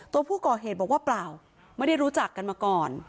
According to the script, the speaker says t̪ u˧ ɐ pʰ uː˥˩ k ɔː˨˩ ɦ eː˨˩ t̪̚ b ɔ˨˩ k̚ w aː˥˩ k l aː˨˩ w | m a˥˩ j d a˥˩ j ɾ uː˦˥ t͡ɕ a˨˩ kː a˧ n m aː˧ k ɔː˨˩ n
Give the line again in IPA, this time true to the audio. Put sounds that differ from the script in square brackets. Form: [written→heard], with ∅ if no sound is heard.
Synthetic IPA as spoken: t̪ u˧ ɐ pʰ uː˥˩ k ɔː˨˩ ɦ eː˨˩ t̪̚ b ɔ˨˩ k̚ w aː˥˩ [k→p] l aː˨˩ w | m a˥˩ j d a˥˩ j ɾ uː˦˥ t͡ɕ a˨˩ kː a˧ n m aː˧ k ɔː˨˩ n